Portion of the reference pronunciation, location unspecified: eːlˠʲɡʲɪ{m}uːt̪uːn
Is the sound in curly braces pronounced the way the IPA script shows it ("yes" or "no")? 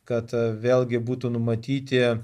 no